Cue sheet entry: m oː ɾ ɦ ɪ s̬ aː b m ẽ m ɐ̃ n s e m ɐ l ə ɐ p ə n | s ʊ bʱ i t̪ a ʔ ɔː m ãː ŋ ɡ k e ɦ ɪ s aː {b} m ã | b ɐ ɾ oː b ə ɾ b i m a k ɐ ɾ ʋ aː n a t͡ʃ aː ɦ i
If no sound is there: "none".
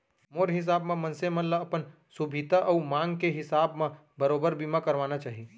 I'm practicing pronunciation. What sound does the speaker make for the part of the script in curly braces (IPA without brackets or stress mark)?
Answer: b